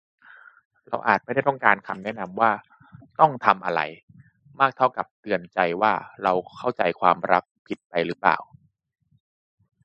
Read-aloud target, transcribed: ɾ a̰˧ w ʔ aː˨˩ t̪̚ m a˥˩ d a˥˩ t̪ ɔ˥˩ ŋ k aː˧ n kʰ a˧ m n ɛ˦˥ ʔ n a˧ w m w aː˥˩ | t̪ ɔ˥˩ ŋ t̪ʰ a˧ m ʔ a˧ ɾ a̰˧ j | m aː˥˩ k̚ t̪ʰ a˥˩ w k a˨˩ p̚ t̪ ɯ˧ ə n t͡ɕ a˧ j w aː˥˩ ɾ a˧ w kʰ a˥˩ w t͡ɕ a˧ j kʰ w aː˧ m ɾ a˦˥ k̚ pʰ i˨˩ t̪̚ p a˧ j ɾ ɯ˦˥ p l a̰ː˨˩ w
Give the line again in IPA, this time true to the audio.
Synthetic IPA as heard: ɾ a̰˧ w ʔ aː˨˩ t̪̚ m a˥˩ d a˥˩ t̪ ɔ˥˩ ŋ k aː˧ n kʰ a˧ m n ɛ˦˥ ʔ n a˧ m w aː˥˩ | t̪ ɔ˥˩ ŋ t̪ʰ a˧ m ʔ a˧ ɾ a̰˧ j | m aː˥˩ k̚ t̪ʰ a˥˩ w k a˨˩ p̚ t̪ ɯ˧ ə n t͡ɕ a˧ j w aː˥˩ ɾ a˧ w kʰ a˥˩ w t͡ɕ a˧ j kʰ w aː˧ m ɾ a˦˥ k̚ pʰ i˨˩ t̪̚ p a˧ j ɾ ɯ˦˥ p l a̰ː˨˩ w

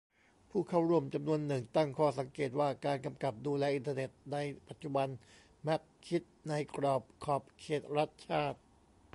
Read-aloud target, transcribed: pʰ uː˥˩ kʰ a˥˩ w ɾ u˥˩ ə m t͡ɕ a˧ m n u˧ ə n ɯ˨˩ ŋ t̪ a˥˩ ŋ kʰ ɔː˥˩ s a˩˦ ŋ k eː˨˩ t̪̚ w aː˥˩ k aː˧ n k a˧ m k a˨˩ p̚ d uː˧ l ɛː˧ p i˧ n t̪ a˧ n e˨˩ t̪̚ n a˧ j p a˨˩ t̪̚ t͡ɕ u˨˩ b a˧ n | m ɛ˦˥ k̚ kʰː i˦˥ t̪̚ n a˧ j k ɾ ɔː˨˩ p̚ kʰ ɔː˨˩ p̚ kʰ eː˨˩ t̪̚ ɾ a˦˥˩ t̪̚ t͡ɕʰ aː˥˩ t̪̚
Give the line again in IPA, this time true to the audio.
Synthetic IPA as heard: pʰ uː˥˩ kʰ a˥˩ w ɾ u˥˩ ə m t͡ɕ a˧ m n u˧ ə nː ɯ˨˩ ŋ t̪ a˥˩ ŋ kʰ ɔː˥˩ s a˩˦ ŋ k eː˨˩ t̪̚ w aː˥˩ k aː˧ n k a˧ m k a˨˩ p̚ d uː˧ l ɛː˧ ʔ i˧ n t̪ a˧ n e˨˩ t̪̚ n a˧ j p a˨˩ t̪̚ t͡ɕ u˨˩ b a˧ n | m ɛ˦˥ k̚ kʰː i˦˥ t̪̚ n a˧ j k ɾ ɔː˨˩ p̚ kʰ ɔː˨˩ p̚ kʰ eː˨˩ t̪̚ ɾ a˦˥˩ t̪̚ t͡ɕʰ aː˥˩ t̪̚

